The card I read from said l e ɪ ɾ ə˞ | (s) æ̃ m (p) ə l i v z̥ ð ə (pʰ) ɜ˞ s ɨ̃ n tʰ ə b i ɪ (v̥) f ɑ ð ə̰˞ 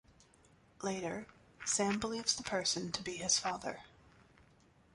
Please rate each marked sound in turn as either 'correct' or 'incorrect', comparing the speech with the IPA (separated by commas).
correct, incorrect, correct, incorrect